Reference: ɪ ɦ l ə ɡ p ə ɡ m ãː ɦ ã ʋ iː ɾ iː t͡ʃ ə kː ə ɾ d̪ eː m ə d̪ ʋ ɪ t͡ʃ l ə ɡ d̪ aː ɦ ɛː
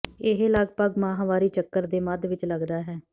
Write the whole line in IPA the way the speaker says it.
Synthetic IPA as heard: ɪ ɦ l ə ɡ p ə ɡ m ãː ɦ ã ʋ aː ɾ iː t͡ʃ ə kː ə ɾ d̪ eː m ə d̪ ʋ ɪ t͡ʃ l ə ɡ d̪ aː ɦ ɛː